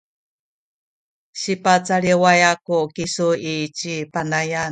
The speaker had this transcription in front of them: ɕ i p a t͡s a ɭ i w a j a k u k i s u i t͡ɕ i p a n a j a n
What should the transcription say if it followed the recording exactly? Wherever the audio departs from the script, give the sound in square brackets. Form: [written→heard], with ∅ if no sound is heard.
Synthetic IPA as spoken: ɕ i p a t͡s a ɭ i w a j a k u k i s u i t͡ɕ i p a n a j a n